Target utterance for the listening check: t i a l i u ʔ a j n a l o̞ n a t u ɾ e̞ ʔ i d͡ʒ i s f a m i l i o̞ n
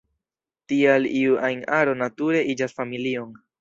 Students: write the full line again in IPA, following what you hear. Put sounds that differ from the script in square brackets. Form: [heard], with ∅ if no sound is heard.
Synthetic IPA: t i a l i u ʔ a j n a [ɾ] o̞ n a t u ɾ e̞ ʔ i d͡ʒ [a] s f a m i l i o̞ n

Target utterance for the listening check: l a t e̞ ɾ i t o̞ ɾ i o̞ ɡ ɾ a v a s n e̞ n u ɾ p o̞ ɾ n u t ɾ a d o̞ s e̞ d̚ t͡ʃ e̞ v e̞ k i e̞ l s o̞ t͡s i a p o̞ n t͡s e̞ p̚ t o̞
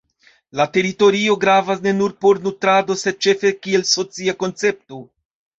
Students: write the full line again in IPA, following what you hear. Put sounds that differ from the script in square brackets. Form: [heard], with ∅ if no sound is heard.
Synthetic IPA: l a t e̞ ɾ i t o̞ ɾ i o̞ ɡ ɾ a v a s n e̞ n u ɾ p o̞ ɾ n u t ɾ a d o̞ s e̞ d̚ t͡ʃ e̞ [f] e̞ k i e̞ l s o̞ t͡s i a [k] o̞ n t͡s e̞ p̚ t o̞

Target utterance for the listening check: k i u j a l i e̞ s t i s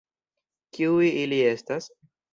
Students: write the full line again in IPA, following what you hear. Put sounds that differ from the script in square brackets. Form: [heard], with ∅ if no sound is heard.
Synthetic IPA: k i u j [i] l i e̞ s t [a] s

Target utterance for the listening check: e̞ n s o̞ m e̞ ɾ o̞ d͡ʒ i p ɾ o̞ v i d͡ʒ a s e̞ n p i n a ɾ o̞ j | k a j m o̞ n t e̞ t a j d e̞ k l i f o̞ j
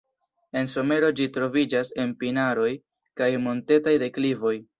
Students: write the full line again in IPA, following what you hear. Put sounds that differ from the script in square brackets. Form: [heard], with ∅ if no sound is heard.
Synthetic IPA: e̞ n s o̞ m e̞ ɾ o̞ d͡ʒ i [t] ɾ o̞ v i d͡ʒ a s e̞ n p i n a ɾ o̞ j | k a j m o̞ n t e̞ t a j d e̞ k l i [v] o̞ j

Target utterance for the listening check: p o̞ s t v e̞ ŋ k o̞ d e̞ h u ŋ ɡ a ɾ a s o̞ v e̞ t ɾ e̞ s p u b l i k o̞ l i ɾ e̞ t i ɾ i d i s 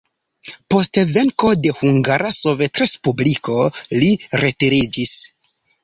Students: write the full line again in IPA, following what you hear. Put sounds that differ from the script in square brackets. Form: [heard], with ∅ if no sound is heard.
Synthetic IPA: p o̞ s t v e̞ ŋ k o̞ d e̞ h u ŋ ɡ a ɾ a s o̞ v e̞ t ɾ e̞ s p u b l i k o̞ l i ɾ e̞ t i ɾ i [d͡ʒ] i s

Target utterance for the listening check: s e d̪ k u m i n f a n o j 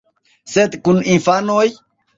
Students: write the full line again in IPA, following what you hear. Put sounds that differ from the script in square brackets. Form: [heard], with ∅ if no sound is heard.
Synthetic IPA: s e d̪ k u [n] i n f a n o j

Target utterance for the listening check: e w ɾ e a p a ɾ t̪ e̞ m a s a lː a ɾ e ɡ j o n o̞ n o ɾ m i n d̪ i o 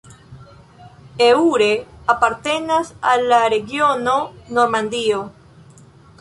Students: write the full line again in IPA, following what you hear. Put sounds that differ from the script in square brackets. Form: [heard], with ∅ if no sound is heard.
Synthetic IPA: e [u] ɾ e a p a ɾ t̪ e̞ [n] a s a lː a ɾ e ɡ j o n o̞ n o ɾ m [a] n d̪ i o

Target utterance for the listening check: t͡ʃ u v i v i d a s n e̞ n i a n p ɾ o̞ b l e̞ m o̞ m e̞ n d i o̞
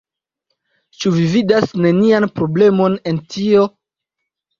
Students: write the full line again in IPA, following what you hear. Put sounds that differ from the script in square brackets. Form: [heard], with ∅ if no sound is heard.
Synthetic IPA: t͡ʃ u v i v i d a s n e̞ n i a n p ɾ o̞ b l e̞ m o̞ [n] e̞ n [t] i o̞

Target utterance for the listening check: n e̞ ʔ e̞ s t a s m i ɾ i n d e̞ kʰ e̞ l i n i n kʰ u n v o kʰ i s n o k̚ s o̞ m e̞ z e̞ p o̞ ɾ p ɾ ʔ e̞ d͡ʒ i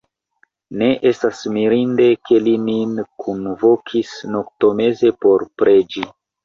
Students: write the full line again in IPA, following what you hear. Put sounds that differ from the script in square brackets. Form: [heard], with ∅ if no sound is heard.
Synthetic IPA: n e̞ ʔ e̞ s t a s m i ɾ i n d e̞ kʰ e̞ l i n i n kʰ u n v o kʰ i s n o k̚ [t] o̞ m e̞ z e̞ p o̞ ɾ p ɾ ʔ e̞ d͡ʒ i

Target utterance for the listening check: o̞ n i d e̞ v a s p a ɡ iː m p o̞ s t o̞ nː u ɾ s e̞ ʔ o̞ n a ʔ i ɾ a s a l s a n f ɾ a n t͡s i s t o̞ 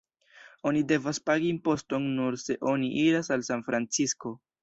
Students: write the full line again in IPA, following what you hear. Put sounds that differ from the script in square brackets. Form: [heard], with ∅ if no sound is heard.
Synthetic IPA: o̞ n i d e̞ v a s p a ɡ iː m p o̞ s t o̞ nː u ɾ s e̞ ʔ o̞ n [i] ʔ i ɾ a s a l s a n f ɾ a n t͡s i s [k] o̞

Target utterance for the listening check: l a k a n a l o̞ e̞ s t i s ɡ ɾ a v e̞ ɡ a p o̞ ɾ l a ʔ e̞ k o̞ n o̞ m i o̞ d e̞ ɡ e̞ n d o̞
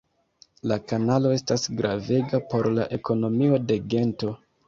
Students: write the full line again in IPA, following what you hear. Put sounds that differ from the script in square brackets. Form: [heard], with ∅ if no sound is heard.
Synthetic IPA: l a k a n a l o̞ e̞ s t [a] s ɡ ɾ a v e̞ ɡ a p o̞ ɾ l a ʔ e̞ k o̞ n o̞ m i o̞ d e̞ ɡ e̞ n [t] o̞

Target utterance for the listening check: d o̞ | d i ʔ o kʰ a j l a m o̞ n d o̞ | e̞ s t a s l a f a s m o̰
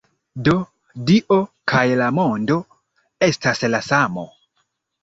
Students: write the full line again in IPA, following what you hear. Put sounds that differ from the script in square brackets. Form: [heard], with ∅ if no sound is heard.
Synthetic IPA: d o̞ | d i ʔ o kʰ a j l a m o̞ n d o̞ | e̞ s t a s l a [s] a [∅] m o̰

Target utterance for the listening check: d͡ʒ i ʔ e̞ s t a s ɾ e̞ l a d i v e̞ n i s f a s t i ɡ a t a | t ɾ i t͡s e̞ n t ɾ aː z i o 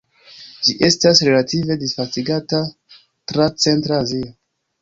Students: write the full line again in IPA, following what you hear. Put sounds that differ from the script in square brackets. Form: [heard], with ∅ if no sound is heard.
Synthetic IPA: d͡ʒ i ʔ e̞ s t a s ɾ e̞ l a [t] i v e̞ [d] i s f a s t i ɡ a t a | t ɾ [a] t͡s e̞ n t ɾ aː z i o

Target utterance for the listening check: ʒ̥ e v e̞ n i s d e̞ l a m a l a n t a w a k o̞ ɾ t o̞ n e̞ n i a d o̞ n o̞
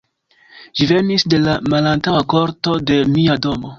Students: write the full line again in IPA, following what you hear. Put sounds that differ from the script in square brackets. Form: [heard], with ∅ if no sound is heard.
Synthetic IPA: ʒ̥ [i] v e̞ n i s d e̞ l a m a l a n t a w a k o̞ ɾ t o̞ [d] e̞ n i a d o̞ [m] o̞

